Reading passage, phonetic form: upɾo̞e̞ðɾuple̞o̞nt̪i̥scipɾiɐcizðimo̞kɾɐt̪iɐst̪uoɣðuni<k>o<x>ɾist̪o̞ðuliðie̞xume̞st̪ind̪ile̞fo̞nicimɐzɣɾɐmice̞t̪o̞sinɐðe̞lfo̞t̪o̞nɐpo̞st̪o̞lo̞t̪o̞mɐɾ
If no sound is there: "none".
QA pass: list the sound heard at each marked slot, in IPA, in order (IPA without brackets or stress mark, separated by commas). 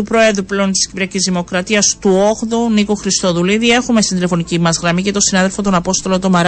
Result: k, x